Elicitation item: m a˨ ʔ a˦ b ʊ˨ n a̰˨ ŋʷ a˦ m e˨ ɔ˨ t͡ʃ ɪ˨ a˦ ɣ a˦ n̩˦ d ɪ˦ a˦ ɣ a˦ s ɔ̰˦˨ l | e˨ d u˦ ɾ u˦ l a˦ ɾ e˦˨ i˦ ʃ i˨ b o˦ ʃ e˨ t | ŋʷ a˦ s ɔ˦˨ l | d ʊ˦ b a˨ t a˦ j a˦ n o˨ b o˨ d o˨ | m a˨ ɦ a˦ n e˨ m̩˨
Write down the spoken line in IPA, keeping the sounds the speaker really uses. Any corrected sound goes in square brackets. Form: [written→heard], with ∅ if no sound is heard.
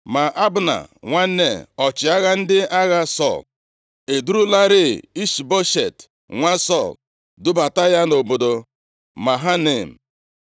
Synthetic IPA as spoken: m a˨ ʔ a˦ b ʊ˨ n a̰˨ ŋʷ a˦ [m→n] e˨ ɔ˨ t͡ʃ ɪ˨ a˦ ɣ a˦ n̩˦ d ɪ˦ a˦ ɣ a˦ s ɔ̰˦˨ l | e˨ d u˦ ɾ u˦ l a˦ ɾ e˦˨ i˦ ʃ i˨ b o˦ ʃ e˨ t | ŋʷ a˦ s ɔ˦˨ l | d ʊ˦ b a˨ t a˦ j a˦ n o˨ b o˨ d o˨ | m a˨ ɦ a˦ n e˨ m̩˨